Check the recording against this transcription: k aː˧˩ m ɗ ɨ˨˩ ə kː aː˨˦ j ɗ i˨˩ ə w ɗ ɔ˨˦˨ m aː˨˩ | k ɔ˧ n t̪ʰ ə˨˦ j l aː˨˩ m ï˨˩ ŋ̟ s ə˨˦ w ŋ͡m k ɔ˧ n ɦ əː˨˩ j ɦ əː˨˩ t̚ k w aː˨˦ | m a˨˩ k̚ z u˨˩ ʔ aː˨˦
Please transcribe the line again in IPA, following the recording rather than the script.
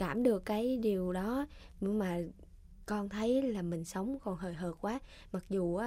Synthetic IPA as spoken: k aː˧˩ m ɗ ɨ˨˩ ə kː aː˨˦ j ɗ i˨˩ ə w ɗ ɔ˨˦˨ m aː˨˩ | k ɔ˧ n t̪ʰ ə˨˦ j l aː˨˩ m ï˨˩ ŋ̟ s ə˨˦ w ŋ͡m k ɔ˨˩ n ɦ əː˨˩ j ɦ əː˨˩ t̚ k w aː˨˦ | m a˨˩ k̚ z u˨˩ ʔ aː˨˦